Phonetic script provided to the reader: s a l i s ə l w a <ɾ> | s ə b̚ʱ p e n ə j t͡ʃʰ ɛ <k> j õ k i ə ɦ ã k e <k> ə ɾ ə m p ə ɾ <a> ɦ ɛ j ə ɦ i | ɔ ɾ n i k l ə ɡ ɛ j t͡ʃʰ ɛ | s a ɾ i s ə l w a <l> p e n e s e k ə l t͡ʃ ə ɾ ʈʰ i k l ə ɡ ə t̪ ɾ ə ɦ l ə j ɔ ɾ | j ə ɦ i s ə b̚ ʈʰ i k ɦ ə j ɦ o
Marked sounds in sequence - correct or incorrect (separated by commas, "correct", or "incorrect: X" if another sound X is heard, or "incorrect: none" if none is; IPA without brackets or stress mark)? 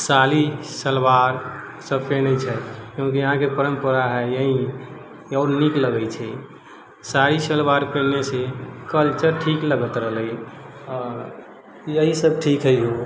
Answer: correct, correct, incorrect: p, correct, incorrect: ɾ